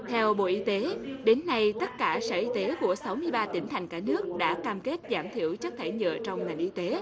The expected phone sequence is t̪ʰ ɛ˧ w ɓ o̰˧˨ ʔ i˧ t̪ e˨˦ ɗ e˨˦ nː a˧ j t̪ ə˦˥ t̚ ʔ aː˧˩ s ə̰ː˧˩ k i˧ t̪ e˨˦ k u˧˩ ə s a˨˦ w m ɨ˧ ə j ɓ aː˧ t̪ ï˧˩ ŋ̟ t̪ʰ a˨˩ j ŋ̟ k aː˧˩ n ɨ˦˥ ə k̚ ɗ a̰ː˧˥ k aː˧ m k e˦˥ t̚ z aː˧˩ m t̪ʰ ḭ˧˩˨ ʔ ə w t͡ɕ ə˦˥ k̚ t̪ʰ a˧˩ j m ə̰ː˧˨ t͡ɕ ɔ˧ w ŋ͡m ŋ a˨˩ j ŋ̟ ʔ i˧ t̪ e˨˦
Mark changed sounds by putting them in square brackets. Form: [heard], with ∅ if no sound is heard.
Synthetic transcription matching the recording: t̪ʰ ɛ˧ w ɓ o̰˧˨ ʔ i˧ t̪ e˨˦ ɗ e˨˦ nː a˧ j t̪ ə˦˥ t̚ [k] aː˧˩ s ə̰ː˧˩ [ʔ] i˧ t̪ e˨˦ k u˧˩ ə s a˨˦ w m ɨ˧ ə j ɓ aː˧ t̪ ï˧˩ ŋ̟ t̪ʰ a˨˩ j ŋ̟ k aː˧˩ n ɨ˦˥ ə k̚ ɗ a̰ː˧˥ k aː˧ m k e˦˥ t̚ z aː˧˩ m t̪ʰ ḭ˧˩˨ [∅] ə w t͡ɕ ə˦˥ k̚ t̪ʰ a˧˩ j [ɲ] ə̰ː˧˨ t͡ɕ ɔ˧ w ŋ͡m ŋ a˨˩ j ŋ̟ ʔ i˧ t̪ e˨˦

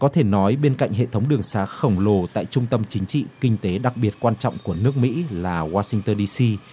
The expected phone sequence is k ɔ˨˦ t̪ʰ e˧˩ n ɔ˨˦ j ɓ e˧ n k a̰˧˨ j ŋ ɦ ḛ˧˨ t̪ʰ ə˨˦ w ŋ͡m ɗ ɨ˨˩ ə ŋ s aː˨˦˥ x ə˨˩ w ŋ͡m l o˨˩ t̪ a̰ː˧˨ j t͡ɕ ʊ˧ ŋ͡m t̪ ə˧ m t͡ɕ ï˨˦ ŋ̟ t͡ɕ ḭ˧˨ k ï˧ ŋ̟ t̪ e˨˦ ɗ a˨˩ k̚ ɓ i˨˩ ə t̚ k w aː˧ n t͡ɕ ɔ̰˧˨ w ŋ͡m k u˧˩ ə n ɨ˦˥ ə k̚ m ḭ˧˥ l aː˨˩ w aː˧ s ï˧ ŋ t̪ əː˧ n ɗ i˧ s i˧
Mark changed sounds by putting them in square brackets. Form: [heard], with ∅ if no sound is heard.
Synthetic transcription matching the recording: k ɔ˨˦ t̪ʰ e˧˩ n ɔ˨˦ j ɓ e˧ n k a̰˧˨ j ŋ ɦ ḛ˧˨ t̪ʰ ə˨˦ w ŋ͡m ɗ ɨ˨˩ ə ŋ s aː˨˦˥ x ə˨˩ w ŋ͡m l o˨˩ t̪ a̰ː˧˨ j t͡ɕ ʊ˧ ŋ͡m t̪ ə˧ m t͡ɕ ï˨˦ ŋ̟ t͡ɕ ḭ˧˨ k ï˧ ŋ̟ t̪ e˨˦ ɗ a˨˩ k̚ ɓ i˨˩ ə t̚ k w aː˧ n t͡ɕ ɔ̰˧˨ w ŋ͡m k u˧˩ ə n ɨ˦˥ ə k̚ m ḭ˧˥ l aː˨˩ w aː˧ s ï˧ ŋ t̪ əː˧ n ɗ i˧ s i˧

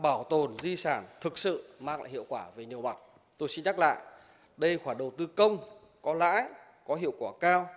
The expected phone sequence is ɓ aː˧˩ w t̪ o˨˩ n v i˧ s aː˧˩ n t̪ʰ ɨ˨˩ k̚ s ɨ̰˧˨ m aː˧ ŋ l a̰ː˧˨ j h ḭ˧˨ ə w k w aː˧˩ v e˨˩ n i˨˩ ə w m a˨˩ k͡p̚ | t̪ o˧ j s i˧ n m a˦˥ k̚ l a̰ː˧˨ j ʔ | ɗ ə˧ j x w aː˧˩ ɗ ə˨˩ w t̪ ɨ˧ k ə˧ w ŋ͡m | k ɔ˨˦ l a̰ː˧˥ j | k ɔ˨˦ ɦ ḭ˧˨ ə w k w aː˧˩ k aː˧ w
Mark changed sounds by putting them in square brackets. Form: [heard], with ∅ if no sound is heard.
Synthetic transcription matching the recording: ɓ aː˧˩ w t̪ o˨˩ n [z] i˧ s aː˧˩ n t̪ʰ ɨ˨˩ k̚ s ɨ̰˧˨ m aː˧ ŋ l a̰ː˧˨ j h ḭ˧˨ ə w k w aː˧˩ v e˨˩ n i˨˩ ə w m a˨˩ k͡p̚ | t̪ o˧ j s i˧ n [ɲ] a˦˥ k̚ l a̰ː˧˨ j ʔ | ɗ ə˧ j x w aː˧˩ ɗ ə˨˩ w t̪ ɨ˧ k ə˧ w ŋ͡m | k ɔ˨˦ l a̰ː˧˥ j | k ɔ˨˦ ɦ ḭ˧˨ ə w k w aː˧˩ k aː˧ w

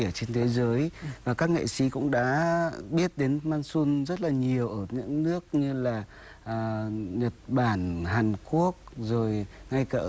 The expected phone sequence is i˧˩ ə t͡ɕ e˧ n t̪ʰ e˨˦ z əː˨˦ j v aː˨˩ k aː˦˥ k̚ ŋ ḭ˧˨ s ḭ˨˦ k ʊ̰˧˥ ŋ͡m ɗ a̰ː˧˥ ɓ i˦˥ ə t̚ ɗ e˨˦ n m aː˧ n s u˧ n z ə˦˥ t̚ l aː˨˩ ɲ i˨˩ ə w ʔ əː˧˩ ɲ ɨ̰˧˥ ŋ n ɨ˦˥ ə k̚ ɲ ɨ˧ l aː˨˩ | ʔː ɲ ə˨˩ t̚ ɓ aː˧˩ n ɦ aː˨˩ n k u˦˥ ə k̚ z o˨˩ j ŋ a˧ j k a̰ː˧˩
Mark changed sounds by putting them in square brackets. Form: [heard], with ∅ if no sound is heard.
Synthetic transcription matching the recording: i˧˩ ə t͡ɕ e˧ n t̪ʰ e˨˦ z əː˨˦ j v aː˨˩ k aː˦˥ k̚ ŋ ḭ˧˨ s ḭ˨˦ k ʊ̰˧˥ ŋ͡m ɗ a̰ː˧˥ ɓ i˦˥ ə t̚ ɗ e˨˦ n m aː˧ n s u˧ n z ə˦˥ t̚ l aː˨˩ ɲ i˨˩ ə w ʔ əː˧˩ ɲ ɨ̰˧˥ ŋ n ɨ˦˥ ə k̚ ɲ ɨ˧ l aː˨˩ | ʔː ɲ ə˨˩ t̚ ɓ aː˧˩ n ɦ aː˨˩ n k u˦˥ ə k̚ z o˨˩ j ŋ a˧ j k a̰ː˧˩

